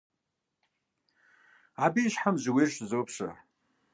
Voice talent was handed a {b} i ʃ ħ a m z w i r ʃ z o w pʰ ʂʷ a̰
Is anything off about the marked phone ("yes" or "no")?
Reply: no